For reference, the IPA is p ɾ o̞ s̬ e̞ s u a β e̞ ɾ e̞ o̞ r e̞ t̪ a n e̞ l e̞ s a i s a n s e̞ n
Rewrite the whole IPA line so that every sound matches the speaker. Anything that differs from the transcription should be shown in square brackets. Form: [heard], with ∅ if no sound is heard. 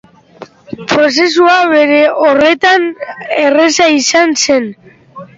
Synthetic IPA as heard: p ɾ o̞ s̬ e̞ s u a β e̞ ɾ e̞ o̞ r e̞ t̪ a n e̞ [r] e̞ s a i s a n s e̞ n